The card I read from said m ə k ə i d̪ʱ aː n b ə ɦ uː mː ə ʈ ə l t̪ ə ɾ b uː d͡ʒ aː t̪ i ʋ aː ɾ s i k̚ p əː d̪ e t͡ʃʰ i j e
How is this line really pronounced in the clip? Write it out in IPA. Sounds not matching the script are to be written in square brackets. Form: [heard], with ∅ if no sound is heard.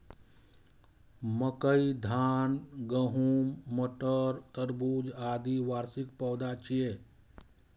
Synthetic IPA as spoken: m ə k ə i d̪ʱ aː n [ɡ] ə ɦ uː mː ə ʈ ə [ɾ] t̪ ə ɾ b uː d͡ʒ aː [d̪] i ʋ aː ɾ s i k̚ p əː d̪ [a] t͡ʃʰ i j e